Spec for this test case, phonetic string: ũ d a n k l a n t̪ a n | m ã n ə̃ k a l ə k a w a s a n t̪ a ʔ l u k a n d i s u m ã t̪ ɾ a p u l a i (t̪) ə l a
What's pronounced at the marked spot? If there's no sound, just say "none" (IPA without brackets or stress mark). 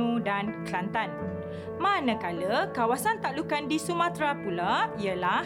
none